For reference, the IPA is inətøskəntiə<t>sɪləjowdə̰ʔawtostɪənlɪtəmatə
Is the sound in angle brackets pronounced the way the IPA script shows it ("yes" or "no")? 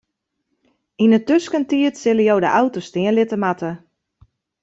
yes